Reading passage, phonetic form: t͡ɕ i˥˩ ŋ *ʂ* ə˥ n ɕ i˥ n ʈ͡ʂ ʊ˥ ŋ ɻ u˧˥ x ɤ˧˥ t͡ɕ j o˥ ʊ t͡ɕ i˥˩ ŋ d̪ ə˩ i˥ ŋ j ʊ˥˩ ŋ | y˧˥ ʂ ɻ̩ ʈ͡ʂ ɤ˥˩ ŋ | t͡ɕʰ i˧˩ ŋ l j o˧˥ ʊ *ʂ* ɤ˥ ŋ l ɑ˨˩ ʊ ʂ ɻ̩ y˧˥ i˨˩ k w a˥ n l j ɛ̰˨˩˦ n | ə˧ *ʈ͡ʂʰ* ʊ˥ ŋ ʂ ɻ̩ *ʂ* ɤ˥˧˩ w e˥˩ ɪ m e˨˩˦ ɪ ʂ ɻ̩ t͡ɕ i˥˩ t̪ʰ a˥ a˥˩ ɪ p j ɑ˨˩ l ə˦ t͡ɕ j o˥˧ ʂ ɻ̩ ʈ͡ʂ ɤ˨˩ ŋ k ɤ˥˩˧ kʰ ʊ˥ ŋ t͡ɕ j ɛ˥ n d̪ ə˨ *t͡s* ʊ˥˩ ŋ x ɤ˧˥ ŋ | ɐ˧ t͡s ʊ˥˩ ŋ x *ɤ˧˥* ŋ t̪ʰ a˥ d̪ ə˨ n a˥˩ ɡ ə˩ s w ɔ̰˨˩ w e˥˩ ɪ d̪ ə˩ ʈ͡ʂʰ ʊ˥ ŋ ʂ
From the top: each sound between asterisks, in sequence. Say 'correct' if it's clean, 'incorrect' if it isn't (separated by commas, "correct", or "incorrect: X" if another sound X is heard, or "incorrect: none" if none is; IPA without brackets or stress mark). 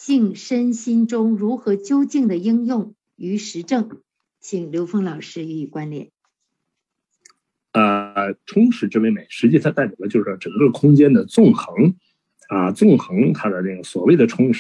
correct, incorrect: f, correct, incorrect: ʈ͡ʂ, correct, correct